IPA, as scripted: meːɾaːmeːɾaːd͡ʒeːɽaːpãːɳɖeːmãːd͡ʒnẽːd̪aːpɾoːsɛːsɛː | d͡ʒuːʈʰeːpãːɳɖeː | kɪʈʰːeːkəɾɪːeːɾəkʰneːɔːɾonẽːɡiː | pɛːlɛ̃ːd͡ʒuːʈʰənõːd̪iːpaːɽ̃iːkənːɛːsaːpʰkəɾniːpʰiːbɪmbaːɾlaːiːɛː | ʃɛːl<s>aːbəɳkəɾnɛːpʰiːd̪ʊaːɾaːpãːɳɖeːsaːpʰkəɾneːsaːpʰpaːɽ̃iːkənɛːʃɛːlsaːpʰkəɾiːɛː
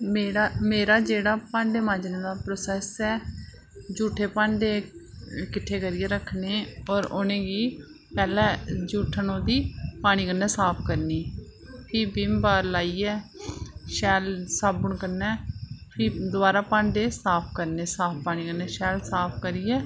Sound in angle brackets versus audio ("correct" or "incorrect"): correct